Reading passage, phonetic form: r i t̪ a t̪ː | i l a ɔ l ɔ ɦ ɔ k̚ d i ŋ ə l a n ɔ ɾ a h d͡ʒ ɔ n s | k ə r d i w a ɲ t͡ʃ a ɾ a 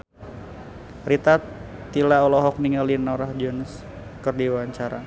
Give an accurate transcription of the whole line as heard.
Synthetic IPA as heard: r i t̪ a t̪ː | i l a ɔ l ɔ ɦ ɔ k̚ n i ŋ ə l i n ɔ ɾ a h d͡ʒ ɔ n s | k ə r d i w a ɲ t͡ʃ a ɾ a